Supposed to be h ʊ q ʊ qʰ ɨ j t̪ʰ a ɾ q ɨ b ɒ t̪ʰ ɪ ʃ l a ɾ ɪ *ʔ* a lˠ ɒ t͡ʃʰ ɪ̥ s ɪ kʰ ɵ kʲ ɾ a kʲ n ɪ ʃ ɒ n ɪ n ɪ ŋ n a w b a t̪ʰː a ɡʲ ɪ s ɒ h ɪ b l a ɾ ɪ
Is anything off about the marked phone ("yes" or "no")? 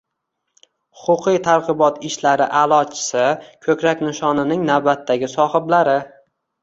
no